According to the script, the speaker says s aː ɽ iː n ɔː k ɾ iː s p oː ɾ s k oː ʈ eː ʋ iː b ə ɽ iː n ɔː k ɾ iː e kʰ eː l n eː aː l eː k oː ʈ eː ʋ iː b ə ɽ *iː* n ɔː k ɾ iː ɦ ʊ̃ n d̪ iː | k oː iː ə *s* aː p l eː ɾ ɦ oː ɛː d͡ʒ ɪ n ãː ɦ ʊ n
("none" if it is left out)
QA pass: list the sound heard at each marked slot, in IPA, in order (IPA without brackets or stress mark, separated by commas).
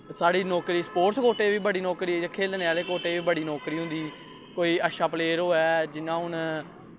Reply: iː, ʃ